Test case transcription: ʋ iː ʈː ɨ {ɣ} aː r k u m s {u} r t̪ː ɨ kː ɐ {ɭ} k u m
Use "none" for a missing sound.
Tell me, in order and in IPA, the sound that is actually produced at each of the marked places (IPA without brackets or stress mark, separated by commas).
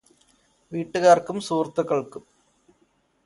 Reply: ɣ, uː, ɭ